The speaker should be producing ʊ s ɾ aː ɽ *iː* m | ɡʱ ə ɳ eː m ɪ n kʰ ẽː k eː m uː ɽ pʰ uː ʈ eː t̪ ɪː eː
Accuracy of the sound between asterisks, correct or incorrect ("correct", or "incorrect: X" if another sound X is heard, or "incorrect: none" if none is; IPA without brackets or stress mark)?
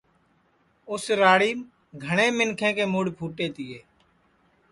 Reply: correct